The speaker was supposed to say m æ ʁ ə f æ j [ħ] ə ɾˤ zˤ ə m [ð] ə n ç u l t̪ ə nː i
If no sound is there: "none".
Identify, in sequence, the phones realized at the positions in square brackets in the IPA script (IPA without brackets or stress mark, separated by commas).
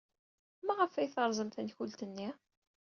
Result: θ, θ